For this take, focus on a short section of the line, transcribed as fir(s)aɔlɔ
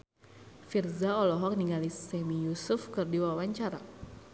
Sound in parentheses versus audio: incorrect: z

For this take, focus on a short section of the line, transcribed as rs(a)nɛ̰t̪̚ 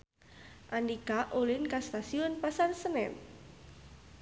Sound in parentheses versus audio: incorrect: ə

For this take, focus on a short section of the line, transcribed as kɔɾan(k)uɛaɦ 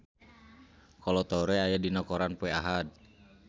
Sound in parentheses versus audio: incorrect: p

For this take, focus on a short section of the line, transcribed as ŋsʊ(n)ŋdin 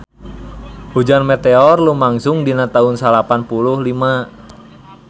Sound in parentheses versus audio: incorrect: none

